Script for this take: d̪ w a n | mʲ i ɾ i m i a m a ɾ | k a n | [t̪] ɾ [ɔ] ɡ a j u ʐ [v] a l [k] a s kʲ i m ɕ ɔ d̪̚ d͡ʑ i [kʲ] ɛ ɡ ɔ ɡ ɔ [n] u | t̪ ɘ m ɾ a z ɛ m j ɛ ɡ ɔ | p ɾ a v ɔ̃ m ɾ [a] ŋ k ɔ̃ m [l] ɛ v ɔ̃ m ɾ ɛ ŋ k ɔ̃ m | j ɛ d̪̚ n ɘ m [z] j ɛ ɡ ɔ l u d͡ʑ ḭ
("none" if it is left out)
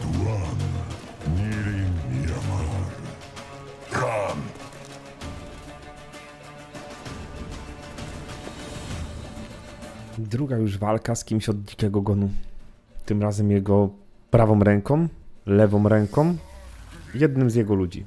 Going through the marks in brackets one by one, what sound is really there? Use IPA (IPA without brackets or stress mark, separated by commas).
d̪, u, v, k, kʲ, n, ɛ, l, z